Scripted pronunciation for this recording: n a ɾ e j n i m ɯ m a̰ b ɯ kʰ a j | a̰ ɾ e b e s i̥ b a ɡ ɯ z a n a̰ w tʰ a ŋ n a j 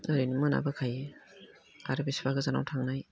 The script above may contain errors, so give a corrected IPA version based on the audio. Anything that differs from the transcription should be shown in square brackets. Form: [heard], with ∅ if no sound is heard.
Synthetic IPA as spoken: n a ɾ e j n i m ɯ [n] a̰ b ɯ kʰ a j | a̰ ɾ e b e s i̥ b a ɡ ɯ z a n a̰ w tʰ a ŋ n a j